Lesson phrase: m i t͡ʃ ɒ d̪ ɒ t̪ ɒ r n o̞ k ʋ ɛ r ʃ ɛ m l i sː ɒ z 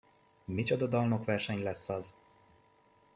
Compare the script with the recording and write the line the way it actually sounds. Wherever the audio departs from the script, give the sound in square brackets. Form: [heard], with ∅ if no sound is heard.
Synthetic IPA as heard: m i t͡ʃ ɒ d̪ ɒ [d̪] ɒ [l] n o̞ k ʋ ɛ r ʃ ɛ [ɲ] l [ɛ] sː ɒ z